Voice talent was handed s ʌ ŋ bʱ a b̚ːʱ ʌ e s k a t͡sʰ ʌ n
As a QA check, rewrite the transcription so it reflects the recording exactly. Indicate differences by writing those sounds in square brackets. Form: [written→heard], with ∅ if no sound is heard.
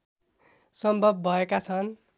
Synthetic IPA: s ʌ [ŋ→m] bʱ [a→ʌ] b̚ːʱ ʌ e [s→∅] k a t͡sʰ ʌ n